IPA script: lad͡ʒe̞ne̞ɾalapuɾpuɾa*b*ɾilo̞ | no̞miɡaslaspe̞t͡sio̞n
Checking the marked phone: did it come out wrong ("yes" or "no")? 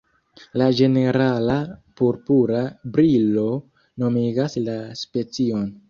no